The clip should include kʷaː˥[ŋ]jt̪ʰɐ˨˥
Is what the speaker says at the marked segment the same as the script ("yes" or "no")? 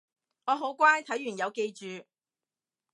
no